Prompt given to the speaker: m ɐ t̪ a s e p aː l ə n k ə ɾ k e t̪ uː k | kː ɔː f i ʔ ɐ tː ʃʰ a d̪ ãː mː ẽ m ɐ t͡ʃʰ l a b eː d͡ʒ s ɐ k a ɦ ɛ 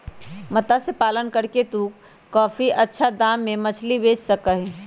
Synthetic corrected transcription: m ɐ t̪ a s e p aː l ə n k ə ɾ k e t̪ uː k | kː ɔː f i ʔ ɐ tː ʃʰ a d̪ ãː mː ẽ m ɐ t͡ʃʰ l i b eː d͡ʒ s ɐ k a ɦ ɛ